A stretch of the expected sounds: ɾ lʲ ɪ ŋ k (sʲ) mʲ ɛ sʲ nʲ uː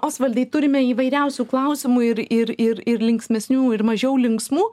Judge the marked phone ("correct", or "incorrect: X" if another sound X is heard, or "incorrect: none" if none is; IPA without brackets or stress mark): correct